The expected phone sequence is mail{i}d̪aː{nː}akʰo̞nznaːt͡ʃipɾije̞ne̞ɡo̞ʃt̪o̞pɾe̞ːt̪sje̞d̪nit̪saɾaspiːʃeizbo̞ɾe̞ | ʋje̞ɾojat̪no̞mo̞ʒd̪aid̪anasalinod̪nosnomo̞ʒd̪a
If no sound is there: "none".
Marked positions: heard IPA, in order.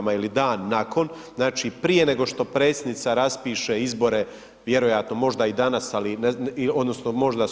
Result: i, nː

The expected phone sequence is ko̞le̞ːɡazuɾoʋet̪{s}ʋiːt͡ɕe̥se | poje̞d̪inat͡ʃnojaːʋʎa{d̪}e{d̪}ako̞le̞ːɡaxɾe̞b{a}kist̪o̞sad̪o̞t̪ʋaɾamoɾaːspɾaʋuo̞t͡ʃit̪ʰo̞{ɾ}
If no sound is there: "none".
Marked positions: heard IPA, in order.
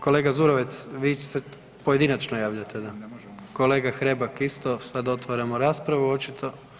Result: s, t̪, d̪, a, none

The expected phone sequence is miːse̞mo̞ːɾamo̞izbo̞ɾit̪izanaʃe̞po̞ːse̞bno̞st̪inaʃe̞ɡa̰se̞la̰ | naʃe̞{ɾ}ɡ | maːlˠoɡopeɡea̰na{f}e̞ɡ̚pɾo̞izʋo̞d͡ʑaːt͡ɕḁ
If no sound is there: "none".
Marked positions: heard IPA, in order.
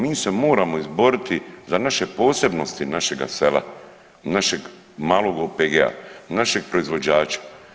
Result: none, ʃ

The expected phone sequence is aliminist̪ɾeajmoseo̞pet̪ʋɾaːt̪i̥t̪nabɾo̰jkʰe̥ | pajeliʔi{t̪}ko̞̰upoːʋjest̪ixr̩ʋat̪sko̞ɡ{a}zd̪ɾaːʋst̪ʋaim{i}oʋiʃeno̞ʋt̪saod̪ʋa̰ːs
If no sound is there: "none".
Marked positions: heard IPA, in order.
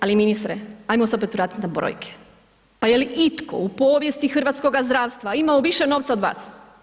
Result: t̪, a, a

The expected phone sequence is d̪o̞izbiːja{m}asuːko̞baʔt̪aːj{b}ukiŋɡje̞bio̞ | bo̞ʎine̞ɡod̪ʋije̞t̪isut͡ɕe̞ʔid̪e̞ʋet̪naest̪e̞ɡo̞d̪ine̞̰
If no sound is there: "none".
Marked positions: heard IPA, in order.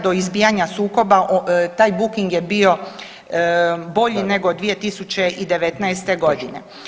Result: ɲ, b

